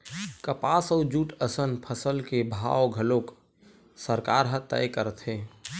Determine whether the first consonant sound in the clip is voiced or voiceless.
voiceless